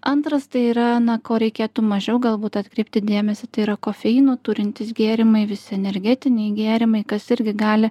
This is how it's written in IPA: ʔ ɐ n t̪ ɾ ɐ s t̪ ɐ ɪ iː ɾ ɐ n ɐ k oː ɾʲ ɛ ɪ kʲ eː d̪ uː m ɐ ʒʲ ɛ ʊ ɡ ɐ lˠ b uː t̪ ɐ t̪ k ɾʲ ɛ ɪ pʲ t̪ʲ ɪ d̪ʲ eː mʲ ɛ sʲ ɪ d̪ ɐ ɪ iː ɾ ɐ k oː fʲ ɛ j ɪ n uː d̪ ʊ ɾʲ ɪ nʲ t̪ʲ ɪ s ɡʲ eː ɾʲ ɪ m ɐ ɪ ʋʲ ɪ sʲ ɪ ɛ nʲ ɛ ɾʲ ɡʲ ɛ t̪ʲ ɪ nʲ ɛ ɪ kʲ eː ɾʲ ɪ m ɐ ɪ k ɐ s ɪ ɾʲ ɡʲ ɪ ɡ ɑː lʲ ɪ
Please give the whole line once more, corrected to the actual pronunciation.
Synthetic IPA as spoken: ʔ ɐ n t̪ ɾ ɐ s t̪ ɐ ɪ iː ɾ ɐ n ɐ k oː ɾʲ ɛ ɪ kʲ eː t̪ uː m ɐ ʒʲ ɛ ʊ ɡ ɐ lˠ b uː t̪ ɐ t̪ k ɾʲ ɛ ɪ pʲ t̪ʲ ɪ d̪ʲ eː mʲ ɛ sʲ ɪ t̪ ɐ ɪ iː ɾ ɐ k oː fʲ ɛ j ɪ n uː t̪ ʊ ɾʲ ɪ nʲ t̪ʲ ɪ s ɡʲ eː ɾʲ ɪ m ɐ ɪ ʋʲ ɪ sʲ ɪ ɛ nʲ ɛ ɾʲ ɡʲ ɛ t̪ʲ ɪ nʲ ɛ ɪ ɡʲ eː ɾʲ ɪ m ɐ ɪ k ɐ s ɪ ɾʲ ɡʲ ɪ ɡ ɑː lʲ ɪ

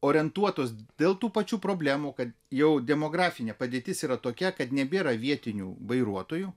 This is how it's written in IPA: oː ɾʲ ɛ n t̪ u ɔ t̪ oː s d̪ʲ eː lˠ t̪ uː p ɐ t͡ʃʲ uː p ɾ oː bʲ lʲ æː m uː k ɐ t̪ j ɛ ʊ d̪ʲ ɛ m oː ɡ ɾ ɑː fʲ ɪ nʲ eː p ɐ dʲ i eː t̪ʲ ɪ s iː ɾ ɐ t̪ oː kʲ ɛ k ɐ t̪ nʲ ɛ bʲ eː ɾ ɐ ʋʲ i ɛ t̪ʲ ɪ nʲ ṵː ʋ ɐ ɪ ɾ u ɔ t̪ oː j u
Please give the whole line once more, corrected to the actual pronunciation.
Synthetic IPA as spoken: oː ɾʲ ɛ n t̪ u ɔ t̪ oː s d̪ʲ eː lˠ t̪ uː p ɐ t͡ʃʲ uː p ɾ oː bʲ lʲ æː m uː k ɐ t̪ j ɛ ʊ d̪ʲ ɛ m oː ɡ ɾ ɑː fʲ ɪ nʲ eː p ɐ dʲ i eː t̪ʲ ɪ s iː ɾ ɐ t̪ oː kʲ ɛ k ɐ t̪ nʲ ɛ bʲ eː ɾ ɐ ʋʲ i ɛ t̪ʲ ɪ nʲ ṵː ʋ ɐ ɪ ɾ u ɔ t̪ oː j u

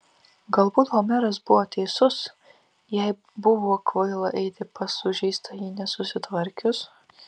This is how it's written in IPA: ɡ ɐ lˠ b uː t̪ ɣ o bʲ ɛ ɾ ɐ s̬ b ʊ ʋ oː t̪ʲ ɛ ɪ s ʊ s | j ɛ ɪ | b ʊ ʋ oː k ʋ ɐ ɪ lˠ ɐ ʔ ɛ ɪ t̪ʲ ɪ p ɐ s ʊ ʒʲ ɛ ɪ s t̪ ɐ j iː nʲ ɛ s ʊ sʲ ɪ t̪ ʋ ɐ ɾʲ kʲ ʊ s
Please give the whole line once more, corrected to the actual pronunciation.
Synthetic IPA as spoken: ɡ ɐ lˠ b uː t̪ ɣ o mʲ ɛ ɾ ɐ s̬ b ʊ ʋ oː t̪ʲ ɛ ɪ s ʊ s | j ɛ ɪ | b ʊ ʋ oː k ʋ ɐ ɪ lˠ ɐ ʔ ɛ ɪ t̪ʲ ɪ p ɐ s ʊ ʒʲ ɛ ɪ s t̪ ɐ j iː nʲ ɛ s ʊ sʲ ɪ t̪ ʋ ɐ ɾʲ kʲ ʊ s

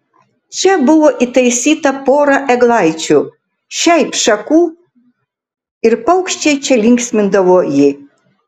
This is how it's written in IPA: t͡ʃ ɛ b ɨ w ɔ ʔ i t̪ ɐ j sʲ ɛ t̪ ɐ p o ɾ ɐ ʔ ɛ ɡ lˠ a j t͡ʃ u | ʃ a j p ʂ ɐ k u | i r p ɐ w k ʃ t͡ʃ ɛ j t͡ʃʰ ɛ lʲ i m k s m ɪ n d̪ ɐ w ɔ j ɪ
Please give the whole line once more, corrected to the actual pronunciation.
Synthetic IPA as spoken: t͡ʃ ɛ b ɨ w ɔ ʔ i t̪ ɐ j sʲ i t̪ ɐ p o ɾ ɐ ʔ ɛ ɡ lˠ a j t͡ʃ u | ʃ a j p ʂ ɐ k u | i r p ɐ w k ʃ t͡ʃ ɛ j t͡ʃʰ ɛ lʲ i ŋ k s m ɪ n d̪ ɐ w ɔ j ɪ

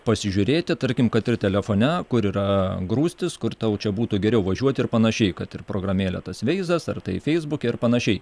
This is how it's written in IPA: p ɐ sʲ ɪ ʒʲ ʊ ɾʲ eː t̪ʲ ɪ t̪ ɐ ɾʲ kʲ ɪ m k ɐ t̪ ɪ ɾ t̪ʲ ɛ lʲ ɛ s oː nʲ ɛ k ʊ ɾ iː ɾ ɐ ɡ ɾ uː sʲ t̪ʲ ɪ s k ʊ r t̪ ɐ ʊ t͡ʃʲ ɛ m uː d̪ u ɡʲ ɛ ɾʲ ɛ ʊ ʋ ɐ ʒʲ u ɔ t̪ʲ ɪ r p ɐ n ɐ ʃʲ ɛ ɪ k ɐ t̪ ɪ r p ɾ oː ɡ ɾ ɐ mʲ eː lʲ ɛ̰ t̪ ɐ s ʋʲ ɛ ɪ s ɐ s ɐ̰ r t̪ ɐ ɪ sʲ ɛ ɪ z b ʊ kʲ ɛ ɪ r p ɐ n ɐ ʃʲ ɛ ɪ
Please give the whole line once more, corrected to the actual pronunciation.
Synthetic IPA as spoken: p ɐ sʲ ɪ ʒʲ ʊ ɾʲ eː t̪ʲ ɪ t̪ ɐ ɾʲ kʲ ɪ m k ɐ t̪ ɪ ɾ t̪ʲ ɛ lʲ ɛ f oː nʲ ɛ k ʊ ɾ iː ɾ ɐ ɡ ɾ uː sʲ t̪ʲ ɪ s k ʊ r t̪ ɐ ʊ t͡ʃʲ ɛ b uː t̪ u ɡʲ ɛ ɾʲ ɛ ʊ ʋ ɐ ʒʲ u ɔ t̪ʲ ɪ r p ɐ n ɐ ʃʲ ɛ ɪ k ɐ t̪ ɪ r p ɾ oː ɡ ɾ ɐ mʲ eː lʲ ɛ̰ t̪ ɐ s ʋʲ ɛ ɪ z ɐ s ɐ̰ r t̪ ɐ ɪ fʲ ɛ ɪ z b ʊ kʲ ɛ ɪ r p ɐ n ɐ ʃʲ ɛ ɪ

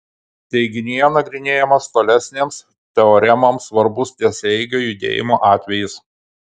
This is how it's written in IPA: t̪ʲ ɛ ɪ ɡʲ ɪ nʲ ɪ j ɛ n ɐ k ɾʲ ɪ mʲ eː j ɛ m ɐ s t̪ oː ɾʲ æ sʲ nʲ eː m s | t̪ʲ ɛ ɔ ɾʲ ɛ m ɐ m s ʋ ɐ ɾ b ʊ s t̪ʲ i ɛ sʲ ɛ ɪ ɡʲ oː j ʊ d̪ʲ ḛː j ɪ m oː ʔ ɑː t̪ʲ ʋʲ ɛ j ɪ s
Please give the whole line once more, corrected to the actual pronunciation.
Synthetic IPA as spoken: t̪ʲ ɛ ɪ ɡʲ ɪ nʲ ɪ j ɛ n ɐ ɡ ɾʲ ɪ nʲ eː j ɛ m ɐ s t̪ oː lʲ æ sʲ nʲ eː m s | t̪ʲ ɛ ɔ ɾʲ ɛ m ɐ m s ʋ ɐ ɾ b ʊ s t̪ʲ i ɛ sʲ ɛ ɪ ɡʲ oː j ʊ d̪ʲ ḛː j ɪ m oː ʔ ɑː t̪ʲ ʋʲ ɛ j ɪ s

